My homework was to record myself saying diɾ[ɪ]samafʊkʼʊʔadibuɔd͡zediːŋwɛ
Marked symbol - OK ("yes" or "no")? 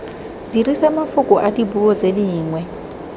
no